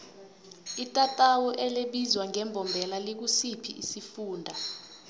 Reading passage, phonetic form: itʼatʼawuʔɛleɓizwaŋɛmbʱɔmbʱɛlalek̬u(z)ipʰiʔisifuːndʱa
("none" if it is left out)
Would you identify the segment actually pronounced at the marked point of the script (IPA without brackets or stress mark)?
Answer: s